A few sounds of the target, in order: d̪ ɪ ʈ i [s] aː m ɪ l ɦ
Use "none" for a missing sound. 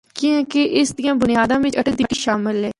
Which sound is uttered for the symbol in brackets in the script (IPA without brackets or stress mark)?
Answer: ʃ